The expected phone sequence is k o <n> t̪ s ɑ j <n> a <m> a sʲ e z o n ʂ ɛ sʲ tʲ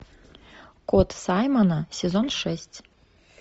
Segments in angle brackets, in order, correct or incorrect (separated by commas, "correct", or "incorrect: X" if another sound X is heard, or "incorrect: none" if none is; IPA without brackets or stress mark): incorrect: none, incorrect: m, incorrect: n